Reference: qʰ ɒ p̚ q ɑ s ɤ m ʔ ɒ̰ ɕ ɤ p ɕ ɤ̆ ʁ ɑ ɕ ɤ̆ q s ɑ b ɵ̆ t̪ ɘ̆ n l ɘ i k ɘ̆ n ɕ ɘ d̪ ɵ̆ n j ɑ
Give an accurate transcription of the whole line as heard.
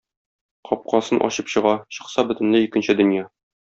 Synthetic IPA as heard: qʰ ɒ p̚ q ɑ s ɤ n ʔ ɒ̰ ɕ ɤ p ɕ ɤ̆ ʁ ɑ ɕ ɤ̆ q s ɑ b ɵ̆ t̪ ɘ̆ n l ɘ i k ɘ̆ n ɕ ɘ d̪ ɵ̆ n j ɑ